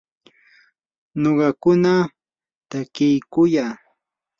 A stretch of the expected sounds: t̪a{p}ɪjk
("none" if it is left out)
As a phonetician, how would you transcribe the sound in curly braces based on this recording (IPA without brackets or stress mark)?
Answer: k